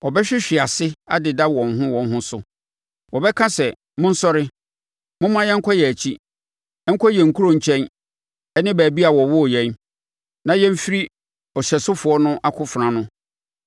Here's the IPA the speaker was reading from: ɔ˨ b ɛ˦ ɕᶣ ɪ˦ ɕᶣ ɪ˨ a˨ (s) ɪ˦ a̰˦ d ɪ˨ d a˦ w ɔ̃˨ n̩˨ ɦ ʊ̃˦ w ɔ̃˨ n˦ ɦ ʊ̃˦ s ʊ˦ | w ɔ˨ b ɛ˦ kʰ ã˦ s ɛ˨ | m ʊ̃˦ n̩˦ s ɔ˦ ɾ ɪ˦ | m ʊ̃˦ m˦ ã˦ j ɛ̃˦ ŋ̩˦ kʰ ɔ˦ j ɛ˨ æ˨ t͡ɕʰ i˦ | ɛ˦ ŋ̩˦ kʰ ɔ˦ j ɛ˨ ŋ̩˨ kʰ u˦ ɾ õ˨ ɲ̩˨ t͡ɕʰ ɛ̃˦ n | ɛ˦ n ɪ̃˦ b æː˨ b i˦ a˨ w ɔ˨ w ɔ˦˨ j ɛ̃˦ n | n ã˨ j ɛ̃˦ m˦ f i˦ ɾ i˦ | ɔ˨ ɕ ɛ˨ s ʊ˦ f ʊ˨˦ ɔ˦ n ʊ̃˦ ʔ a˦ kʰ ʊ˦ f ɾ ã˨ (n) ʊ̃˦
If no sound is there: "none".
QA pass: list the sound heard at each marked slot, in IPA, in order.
s, n

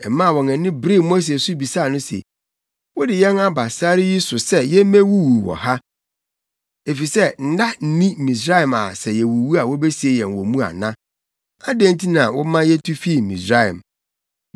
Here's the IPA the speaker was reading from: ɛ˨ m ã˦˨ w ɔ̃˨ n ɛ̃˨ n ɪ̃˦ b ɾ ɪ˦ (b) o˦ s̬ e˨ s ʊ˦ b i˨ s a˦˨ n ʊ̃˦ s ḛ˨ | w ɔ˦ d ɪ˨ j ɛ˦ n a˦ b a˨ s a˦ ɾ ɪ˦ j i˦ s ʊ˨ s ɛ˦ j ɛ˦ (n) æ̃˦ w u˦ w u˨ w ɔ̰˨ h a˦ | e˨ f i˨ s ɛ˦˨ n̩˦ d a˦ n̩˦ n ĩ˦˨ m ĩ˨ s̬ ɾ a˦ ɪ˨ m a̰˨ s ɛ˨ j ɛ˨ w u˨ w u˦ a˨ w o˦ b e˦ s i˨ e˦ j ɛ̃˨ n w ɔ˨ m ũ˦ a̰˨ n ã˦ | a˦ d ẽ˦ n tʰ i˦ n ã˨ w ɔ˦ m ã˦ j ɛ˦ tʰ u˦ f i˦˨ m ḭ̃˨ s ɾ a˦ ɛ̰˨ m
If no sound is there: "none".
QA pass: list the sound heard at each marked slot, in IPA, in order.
m, m

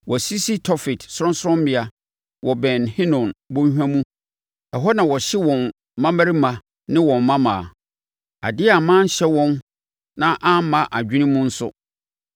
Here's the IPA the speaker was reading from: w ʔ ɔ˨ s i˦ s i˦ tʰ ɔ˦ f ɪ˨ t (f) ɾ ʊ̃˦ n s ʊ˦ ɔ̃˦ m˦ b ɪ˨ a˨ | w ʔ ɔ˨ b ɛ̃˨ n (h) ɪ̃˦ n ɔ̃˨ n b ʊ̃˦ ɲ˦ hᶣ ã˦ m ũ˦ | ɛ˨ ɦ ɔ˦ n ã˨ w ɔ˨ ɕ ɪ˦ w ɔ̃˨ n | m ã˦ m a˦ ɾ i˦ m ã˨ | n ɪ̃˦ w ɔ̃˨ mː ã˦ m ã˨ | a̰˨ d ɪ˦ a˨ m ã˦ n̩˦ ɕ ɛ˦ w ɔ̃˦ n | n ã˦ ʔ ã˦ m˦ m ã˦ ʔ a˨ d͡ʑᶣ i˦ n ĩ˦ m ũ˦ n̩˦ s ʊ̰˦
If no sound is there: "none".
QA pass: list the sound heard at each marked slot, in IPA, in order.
s, h

